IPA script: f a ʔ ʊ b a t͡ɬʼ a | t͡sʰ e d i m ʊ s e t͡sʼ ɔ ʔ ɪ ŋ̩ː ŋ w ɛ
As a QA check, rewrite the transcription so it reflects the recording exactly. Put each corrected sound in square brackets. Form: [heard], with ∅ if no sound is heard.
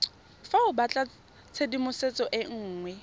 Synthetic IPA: f a [∅] ʊ b a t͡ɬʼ a | t͡sʰ e d i m ʊ s e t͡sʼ ɔ ʔ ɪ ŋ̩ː ŋ w ɛ

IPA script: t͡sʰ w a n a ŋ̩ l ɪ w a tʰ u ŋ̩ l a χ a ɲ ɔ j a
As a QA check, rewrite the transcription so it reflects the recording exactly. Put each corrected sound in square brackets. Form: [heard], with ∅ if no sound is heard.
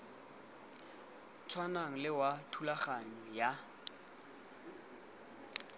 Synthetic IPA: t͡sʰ w a n a ŋ̩ l ɪ w a tʰ u [∅] l a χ a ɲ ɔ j a

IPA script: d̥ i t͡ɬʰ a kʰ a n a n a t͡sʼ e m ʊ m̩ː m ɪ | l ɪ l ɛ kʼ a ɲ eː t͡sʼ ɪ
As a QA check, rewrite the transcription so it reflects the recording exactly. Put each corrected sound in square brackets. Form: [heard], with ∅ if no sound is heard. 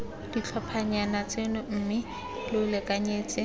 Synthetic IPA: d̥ i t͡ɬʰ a [pʰ] a [ɲ] a n a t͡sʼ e [n] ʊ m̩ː m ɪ | l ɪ l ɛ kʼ a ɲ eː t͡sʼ ɪ

